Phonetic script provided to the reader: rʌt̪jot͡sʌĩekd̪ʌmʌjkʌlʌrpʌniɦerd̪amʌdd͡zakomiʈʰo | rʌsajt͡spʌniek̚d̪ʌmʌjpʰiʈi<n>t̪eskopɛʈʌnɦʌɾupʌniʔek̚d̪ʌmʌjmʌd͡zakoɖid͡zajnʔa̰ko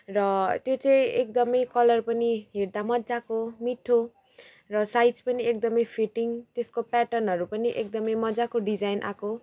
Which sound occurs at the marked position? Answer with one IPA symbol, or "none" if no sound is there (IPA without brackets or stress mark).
ŋ